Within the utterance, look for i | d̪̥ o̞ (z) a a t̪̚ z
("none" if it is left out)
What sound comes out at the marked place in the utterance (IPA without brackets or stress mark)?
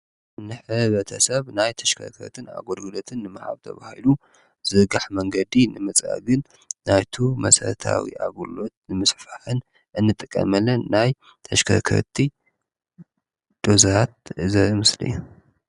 z